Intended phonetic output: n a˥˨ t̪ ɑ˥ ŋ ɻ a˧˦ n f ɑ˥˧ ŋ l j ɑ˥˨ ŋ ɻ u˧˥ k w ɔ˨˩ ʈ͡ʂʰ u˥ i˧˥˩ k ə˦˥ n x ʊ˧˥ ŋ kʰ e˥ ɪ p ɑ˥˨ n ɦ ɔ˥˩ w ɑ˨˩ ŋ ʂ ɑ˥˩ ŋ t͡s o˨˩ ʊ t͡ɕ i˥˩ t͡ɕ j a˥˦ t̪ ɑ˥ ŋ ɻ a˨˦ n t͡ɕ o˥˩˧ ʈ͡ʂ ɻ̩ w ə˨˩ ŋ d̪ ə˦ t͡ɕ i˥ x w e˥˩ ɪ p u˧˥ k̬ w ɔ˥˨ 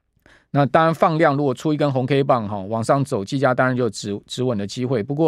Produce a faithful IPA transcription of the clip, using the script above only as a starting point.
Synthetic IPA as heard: n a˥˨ t̪ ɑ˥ ŋ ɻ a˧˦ n f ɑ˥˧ ŋ l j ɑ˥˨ ŋ ɻ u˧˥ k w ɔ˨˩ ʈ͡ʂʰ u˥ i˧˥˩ k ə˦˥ n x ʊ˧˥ ŋ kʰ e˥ ɪ p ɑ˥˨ ŋ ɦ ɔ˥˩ w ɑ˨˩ ŋ ʂ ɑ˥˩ ŋ t͡s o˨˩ ʊ t͡ɕ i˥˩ t͡ɕ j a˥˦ t̪ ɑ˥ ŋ ɻ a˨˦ n t͡ɕ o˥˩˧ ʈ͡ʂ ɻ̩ w ə˨˩ n d̪ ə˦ t͡ɕ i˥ x w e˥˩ ɪ p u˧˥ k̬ w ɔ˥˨